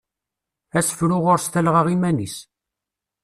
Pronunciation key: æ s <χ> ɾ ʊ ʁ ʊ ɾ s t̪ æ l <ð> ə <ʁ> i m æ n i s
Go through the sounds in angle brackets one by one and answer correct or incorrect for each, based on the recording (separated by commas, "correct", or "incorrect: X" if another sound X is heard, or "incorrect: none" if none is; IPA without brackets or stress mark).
incorrect: f, incorrect: ʁ, correct